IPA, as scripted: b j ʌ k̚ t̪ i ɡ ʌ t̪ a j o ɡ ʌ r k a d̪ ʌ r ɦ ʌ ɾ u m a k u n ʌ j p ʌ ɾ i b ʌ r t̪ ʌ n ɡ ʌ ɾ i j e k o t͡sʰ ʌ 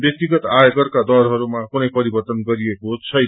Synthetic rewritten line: b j ʌ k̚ t̪ i ɡ ʌ t̪ a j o ɡ ʌ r k a d̪ ʌ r ɦ ʌ ɾ u m a k u n ʌ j p ʌ ɾ i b ʌ r t̪ ʌ n ɡ ʌ ɾ i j e k o t͡sʰ ʌ